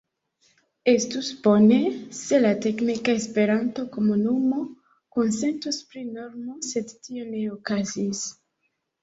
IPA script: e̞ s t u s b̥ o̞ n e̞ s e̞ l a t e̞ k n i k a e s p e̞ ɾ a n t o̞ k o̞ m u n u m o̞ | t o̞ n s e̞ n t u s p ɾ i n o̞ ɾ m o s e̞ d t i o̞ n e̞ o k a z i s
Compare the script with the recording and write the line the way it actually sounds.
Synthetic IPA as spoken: e̞ s t u s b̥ o̞ n e̞ s e̞ l a t e̞ k n i k a e s p e̞ ɾ a n t o̞ k o̞ m u n u m o̞ | k o̞ n s e̞ n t u s p ɾ i n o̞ ɾ m o s e̞ d t i o̞ n e̞ o k a z i s